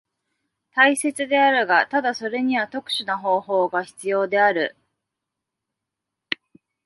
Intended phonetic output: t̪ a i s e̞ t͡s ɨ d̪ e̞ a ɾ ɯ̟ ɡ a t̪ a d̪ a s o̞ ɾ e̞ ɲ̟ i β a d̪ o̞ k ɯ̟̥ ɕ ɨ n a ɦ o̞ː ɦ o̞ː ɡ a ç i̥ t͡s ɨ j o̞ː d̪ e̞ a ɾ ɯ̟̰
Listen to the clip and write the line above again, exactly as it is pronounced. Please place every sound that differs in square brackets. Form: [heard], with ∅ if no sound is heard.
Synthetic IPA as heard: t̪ a i s e̞ t͡s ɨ d̪ e̞ a ɾ ɯ̟ ɡ a t̪ a d̪ a s o̞ ɾ e̞ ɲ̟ i β a [t̪] o̞ k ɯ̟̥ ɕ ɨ n a ɦ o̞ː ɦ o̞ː ɡ a ç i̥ t͡s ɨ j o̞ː d̪ e̞ a ɾ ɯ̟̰

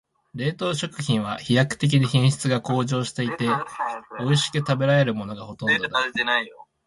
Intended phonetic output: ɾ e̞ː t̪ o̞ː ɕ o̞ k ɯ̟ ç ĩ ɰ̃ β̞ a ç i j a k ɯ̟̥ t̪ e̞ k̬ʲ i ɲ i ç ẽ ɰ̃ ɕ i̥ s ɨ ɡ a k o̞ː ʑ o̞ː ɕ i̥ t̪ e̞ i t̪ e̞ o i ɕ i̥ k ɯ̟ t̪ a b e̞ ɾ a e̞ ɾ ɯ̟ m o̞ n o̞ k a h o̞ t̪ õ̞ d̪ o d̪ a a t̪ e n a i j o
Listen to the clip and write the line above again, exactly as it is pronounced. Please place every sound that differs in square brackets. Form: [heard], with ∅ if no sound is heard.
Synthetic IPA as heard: ɾ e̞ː t̪ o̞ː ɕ o̞ k ɯ̟ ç ĩ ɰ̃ β̞ a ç i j a k ɯ̟̥ t̪ e̞ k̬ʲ i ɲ i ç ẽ ɰ̃ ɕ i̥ [t͡s] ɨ ɡ a k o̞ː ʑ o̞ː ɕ i̥ t̪ e̞ i t̪ e̞ o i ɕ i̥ k ɯ̟ t̪ a b e̞ ɾ a e̞ ɾ ɯ̟ m o̞ n o̞ [ɡ] a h o̞ t̪ õ̞ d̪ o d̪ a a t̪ e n a i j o

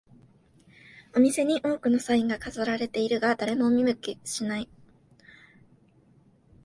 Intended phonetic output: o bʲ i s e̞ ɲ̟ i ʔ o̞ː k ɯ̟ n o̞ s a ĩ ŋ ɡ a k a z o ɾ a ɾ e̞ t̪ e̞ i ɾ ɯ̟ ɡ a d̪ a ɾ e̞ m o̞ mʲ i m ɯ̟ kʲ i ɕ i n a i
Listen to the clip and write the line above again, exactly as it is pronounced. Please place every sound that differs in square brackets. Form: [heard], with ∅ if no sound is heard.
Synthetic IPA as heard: o [mʲ] i s e̞ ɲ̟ i ʔ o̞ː k ɯ̟ n o̞ s a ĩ ŋ ɡ a k a z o ɾ a ɾ e̞ t̪ e̞ i ɾ ɯ̟ ɡ a d̪ a ɾ e̞ m o̞ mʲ i m ɯ̟ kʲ i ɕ i n a i

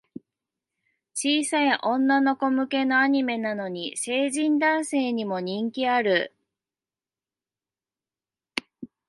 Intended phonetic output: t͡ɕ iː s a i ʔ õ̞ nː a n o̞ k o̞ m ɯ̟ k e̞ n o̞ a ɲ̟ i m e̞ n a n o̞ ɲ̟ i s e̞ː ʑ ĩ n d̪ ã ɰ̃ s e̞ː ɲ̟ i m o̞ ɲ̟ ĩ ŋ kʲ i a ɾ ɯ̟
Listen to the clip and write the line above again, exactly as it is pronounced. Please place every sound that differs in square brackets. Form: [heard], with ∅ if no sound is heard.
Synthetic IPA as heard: t͡ɕ iː s a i ʔ õ̞ nː a n o̞ k o̞ m ɯ̟ k e̞ n o̞ a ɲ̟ i m e̞ n a n o̞ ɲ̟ i s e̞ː ʑ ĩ n d̪ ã ɰ̃ s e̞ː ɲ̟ i m o̞ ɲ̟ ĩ ŋ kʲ i a ɾ ɯ̟

